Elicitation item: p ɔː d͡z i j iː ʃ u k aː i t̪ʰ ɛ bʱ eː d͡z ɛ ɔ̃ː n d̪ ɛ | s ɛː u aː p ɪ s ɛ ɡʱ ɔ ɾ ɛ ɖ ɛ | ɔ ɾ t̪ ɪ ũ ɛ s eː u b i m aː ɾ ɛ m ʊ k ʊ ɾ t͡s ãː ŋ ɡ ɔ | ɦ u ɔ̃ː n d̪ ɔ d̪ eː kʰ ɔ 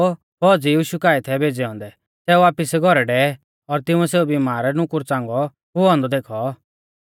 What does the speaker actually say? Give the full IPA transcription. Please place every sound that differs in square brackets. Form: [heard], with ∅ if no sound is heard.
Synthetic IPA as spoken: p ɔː d͡z i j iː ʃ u k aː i t̪ʰ ɛ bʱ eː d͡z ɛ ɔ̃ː n d̪ ɛ | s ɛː u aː p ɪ s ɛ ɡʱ ɔ ɾ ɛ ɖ ɛ | ɔ ɾ t̪ ɪ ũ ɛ s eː u b i m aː ɾ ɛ [n] ʊ k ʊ ɾ t͡s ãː ŋ ɡ ɔ | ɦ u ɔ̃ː n d̪ ɔ d̪ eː kʰ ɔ